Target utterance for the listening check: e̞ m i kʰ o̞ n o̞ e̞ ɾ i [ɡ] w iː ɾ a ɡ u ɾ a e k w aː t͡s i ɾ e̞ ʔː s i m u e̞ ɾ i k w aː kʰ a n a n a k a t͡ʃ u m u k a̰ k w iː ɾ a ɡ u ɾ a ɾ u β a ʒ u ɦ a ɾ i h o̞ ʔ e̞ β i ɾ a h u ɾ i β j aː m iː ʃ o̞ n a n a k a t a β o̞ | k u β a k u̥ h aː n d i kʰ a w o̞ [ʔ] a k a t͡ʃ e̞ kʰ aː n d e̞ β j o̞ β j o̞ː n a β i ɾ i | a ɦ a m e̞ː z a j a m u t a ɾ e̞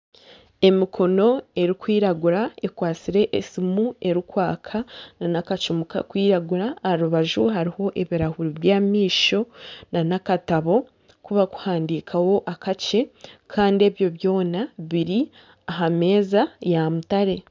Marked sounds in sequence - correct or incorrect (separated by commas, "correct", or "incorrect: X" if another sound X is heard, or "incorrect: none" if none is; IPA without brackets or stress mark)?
incorrect: k, correct